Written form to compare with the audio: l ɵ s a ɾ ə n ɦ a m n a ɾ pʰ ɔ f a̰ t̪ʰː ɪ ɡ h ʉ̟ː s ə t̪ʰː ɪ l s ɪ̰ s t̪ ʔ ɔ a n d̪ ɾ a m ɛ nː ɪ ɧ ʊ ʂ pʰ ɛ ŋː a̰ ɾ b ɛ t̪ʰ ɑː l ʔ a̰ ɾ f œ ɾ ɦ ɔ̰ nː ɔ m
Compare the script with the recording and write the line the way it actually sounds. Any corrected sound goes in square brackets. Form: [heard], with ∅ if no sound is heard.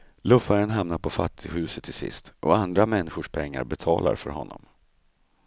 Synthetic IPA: l ɵ [f] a ɾ ə n ɦ a m n a ɾ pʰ ɔ f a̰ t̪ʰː ɪ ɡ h ʉ̟ː s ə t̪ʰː ɪ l s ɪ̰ s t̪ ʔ ɔ a n d̪ ɾ a m ɛ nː ɪ ɧ ʊ ʂ pʰ ɛ ŋː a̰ ɾ b ɛ t̪ʰ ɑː l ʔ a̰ ɾ f œ ɾ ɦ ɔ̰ nː ɔ m